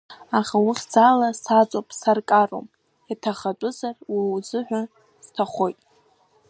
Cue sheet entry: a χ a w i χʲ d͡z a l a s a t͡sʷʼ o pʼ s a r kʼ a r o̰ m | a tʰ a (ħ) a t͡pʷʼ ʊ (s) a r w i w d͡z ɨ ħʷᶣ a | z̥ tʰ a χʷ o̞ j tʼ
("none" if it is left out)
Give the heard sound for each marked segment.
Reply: χ, z

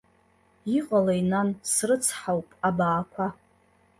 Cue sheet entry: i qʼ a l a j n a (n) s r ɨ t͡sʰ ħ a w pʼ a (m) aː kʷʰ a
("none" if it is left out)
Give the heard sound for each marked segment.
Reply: n, b

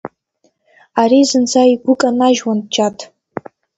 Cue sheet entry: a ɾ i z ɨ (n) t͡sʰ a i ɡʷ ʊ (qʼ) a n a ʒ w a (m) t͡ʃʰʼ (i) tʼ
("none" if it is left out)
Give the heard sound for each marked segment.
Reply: n, kʼ, n, a

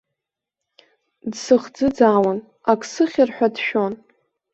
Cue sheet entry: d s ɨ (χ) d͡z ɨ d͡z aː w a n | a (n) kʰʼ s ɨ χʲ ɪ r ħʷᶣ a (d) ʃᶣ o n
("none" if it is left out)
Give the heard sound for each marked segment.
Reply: χ, none, d

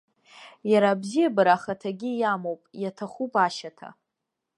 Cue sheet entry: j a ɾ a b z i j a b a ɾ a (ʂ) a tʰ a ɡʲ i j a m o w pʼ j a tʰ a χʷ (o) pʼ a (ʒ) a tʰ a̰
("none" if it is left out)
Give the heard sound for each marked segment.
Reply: χ, u, ʃ

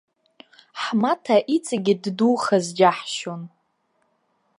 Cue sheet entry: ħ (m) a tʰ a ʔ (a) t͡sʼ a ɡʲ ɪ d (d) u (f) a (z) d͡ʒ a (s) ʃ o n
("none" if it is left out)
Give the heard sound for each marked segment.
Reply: m, i, d, χ, z, ħ

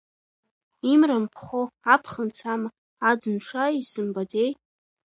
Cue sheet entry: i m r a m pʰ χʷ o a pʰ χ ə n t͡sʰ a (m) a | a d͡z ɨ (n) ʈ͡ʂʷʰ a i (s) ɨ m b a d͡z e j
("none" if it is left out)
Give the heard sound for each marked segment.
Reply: m, n, s

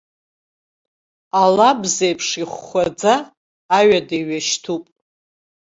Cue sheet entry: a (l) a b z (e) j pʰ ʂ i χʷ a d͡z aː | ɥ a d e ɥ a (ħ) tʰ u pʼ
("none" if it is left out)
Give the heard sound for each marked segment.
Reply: l, e, ʃ

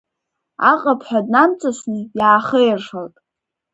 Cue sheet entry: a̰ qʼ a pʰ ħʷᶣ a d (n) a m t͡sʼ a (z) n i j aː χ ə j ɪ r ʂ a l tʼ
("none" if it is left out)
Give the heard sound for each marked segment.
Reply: n, s

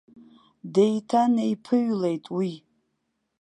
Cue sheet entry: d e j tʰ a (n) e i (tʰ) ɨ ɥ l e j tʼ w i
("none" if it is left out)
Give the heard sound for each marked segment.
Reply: n, pʰ

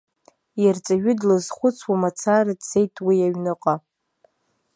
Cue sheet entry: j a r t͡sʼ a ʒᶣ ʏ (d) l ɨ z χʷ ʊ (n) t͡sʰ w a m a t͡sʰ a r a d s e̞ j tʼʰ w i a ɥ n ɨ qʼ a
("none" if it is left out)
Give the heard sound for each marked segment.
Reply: d, none

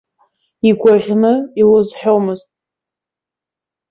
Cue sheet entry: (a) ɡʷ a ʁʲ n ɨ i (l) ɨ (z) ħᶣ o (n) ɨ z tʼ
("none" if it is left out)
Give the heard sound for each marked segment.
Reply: i, l, z, m

